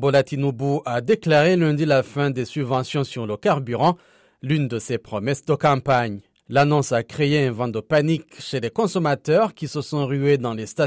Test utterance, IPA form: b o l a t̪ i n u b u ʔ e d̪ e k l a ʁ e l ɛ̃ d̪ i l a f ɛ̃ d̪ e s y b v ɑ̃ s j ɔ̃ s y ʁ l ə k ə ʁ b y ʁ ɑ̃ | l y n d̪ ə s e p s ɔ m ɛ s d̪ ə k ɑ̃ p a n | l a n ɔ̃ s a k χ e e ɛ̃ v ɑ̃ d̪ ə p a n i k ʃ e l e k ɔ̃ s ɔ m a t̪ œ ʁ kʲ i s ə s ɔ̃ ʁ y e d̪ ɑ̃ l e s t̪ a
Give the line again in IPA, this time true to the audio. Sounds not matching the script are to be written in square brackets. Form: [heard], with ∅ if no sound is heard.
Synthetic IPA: b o l a t̪ i n u b u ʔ [a] d̪ e k l a ʁ e l ɛ̃ d̪ i l a f ɛ̃ d̪ e s y b v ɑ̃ s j ɔ̃ s y ʁ l ə k [a] ʁ b y ʁ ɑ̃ | l y n d̪ ə s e p [χ] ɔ m ɛ s d̪ ə k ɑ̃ p a [ɲ] | l a n ɔ̃ s a k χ e e ɛ̃ v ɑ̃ d̪ ə p a n i k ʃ e l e k ɔ̃ s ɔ m a t̪ œ ʁ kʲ i s ə s ɔ̃ ʁ y e d̪ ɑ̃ l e s t̪ a